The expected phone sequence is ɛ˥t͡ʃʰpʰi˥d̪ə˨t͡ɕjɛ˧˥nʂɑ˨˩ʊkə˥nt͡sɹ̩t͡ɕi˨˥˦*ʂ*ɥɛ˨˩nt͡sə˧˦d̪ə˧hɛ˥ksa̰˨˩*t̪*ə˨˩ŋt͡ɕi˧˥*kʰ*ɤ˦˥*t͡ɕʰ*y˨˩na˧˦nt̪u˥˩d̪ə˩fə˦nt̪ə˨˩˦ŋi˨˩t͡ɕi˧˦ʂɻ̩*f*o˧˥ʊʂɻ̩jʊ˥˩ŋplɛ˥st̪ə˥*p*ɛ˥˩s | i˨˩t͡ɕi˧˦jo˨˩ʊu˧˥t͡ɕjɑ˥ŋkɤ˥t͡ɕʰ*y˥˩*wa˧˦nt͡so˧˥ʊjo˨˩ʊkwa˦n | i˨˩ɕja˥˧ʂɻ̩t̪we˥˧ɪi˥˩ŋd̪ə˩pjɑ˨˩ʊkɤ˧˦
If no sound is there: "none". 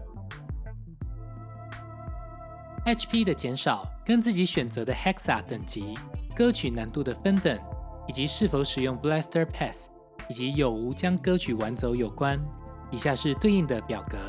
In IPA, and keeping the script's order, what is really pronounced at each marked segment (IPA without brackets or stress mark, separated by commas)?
ɕ, t̪, k, t͡ɕʰ, f, pʰ, y˨˩